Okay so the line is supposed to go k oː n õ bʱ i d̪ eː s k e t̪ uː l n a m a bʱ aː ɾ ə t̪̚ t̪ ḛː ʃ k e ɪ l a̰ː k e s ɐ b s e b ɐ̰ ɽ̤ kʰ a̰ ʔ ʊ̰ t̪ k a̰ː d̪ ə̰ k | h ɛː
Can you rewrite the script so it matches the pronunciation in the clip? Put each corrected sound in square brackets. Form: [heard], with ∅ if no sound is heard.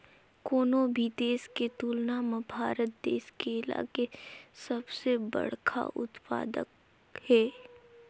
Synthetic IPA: k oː n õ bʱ i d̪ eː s k e t̪ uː l n a m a bʱ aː ɾ ə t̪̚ [d̪] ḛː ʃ k e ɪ l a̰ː k e s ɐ b s e b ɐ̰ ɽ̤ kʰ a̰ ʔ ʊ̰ t̪ [p] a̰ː d̪ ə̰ k | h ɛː